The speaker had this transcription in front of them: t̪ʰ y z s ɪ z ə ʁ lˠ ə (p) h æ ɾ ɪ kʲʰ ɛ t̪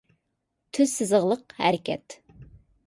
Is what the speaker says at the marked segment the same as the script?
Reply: no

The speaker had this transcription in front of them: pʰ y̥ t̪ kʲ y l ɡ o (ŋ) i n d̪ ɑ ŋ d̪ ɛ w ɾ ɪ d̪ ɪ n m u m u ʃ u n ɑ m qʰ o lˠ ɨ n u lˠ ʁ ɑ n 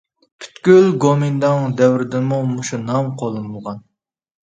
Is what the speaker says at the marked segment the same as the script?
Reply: no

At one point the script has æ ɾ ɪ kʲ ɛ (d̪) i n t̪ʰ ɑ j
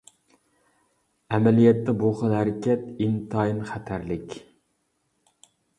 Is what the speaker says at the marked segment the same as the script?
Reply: no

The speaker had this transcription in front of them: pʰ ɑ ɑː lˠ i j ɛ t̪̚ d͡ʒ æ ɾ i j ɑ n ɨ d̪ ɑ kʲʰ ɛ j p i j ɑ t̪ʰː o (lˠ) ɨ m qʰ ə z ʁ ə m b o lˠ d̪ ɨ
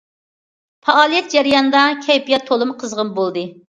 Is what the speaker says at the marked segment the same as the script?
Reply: yes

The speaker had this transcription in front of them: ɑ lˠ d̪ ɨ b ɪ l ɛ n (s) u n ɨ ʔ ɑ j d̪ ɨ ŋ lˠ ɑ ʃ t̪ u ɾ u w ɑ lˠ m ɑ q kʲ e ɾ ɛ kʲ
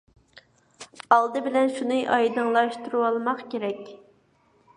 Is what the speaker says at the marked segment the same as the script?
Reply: no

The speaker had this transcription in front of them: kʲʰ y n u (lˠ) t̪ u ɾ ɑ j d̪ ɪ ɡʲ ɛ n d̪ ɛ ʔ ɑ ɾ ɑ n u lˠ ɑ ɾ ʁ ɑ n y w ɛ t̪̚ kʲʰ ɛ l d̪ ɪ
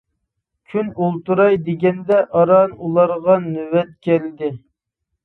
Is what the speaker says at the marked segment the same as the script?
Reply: yes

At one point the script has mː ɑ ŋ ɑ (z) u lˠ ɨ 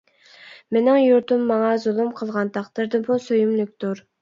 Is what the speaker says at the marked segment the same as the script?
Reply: yes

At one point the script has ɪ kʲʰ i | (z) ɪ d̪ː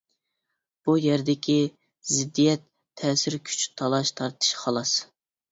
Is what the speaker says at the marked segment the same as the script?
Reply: yes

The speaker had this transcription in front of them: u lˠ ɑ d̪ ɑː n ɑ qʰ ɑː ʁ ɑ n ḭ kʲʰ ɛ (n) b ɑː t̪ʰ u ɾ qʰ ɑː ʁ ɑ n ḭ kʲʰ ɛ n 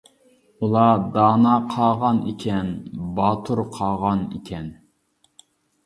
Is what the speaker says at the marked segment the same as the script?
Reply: yes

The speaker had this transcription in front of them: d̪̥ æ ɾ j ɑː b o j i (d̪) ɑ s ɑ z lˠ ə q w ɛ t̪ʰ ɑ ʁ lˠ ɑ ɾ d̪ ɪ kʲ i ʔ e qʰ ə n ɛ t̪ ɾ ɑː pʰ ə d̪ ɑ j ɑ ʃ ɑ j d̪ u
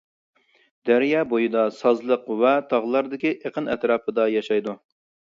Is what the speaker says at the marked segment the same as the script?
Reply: yes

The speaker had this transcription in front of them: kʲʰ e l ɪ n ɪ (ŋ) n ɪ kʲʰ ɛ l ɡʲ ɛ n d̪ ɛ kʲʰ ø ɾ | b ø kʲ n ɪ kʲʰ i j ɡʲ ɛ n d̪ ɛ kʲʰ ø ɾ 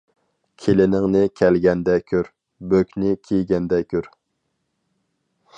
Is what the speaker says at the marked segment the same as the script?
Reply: yes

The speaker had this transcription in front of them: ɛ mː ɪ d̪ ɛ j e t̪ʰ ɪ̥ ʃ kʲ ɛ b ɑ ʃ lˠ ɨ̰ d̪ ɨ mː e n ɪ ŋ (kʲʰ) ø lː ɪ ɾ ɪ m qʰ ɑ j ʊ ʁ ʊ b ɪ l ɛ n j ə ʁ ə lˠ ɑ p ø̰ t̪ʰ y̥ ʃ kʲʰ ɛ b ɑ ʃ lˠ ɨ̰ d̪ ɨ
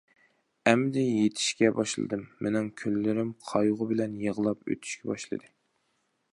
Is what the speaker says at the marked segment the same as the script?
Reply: yes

